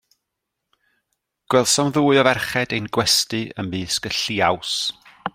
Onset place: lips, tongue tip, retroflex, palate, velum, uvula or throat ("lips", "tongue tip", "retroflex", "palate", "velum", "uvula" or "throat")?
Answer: velum